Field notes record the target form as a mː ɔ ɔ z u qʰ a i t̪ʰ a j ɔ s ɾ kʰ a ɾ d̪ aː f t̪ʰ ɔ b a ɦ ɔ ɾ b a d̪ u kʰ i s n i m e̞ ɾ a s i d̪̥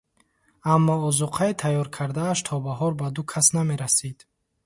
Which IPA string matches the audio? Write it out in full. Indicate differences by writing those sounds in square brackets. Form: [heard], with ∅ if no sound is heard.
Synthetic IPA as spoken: a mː ɔ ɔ z u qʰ a i t̪ʰ a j ɔ [∅] ɾ kʰ a ɾ d̪ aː [ʃ] t̪ʰ ɔ b a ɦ ɔ ɾ b a d̪ u kʰ [a] s n [a] m e̞ ɾ a s i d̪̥